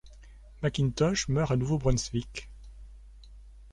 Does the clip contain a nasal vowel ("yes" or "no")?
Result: no